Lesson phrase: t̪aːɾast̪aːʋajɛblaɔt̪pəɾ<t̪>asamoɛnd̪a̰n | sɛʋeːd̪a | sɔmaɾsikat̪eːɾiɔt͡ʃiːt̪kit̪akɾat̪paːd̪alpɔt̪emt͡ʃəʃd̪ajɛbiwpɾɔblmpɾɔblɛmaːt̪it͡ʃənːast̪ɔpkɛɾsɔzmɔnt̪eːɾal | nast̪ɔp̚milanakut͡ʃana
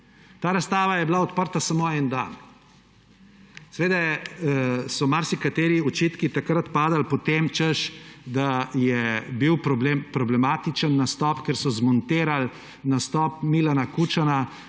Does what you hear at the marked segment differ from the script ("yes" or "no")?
no